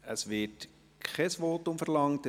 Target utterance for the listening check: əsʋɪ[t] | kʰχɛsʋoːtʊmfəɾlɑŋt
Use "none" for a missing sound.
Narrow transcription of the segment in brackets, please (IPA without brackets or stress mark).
t